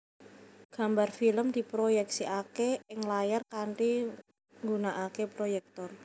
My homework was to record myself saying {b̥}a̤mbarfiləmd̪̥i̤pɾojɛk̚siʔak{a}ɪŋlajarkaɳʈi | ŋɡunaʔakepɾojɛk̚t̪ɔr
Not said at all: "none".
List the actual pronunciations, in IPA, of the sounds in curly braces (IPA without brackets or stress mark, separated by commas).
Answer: ɡ̥, e